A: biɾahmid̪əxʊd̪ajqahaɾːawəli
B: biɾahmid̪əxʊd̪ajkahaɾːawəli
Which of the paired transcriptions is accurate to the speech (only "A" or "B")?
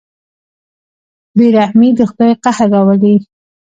A